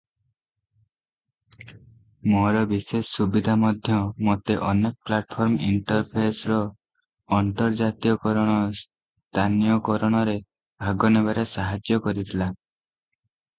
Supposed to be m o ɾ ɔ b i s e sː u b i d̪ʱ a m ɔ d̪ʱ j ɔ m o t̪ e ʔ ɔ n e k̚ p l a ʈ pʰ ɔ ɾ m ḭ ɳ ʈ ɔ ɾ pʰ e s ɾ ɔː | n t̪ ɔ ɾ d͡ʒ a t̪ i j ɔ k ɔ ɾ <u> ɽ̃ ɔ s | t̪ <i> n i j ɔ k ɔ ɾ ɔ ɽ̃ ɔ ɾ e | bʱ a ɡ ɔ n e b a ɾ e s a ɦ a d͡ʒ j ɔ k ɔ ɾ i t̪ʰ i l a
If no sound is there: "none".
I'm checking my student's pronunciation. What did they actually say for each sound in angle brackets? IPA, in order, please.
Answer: ɔ, a

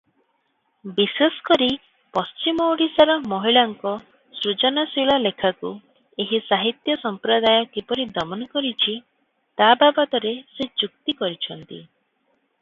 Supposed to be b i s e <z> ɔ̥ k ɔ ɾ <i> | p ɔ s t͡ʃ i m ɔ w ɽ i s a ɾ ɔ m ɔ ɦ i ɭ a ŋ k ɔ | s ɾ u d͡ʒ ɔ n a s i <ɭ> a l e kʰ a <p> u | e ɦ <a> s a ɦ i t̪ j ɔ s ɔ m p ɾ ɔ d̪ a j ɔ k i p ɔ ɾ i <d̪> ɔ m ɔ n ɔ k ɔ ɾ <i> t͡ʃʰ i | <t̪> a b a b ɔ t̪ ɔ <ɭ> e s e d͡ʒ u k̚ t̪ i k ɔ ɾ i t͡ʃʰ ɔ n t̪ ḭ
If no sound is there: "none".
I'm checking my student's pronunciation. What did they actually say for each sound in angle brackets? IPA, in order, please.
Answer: s, i, ɭ, k, i, d̪, i, t̪, ɾ

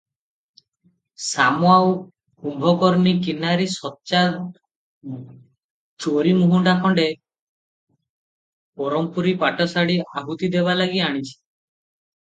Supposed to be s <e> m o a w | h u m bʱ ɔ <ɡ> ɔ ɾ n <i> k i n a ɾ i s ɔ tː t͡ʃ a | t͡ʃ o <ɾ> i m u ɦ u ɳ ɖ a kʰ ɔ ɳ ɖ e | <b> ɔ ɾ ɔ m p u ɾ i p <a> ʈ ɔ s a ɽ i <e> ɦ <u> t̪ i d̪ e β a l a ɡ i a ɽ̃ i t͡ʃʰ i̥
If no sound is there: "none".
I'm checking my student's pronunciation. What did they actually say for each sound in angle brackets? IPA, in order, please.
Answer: a, k, i, ɾ, p, a, a, u

